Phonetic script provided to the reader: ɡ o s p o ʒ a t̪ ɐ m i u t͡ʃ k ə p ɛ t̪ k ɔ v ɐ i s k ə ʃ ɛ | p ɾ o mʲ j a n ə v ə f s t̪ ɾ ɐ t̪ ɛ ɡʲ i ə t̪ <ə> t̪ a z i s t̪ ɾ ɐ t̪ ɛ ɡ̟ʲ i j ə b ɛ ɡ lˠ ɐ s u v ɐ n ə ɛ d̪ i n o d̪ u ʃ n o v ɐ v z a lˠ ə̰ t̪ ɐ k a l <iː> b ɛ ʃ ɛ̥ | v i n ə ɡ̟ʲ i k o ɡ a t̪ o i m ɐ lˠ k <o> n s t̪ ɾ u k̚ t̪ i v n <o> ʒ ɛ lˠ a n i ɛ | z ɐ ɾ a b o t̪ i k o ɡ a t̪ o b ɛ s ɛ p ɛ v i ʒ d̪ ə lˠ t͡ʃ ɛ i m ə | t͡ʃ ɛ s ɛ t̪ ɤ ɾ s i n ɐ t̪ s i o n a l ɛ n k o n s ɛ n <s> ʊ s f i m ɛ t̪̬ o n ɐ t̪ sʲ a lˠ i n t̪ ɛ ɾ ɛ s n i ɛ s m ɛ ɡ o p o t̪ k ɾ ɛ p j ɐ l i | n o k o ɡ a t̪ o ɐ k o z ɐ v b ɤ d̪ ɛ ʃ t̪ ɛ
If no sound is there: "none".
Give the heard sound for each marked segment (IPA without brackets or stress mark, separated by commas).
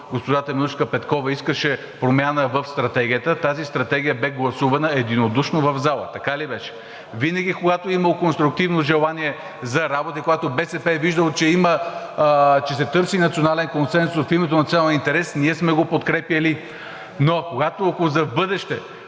ə, i, o, o, s